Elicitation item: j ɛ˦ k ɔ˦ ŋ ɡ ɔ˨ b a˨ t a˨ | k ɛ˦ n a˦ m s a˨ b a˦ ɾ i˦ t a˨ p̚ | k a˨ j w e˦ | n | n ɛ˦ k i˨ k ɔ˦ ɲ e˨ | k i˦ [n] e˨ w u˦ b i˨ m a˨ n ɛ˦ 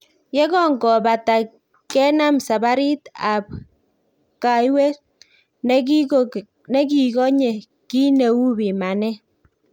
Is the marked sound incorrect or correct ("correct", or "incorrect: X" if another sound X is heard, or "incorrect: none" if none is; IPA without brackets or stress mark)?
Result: correct